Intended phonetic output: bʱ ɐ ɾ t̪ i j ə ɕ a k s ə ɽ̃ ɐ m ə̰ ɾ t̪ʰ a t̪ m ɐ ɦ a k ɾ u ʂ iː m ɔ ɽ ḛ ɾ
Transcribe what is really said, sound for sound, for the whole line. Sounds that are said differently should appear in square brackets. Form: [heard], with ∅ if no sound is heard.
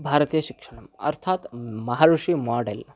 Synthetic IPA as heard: bʱ [a] ɾ t̪ i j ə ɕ [i] k [ʂ] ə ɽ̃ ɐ m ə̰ ɾ t̪ʰ a t̪ m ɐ ɦ a [∅] ɾ u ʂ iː m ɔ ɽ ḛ [l]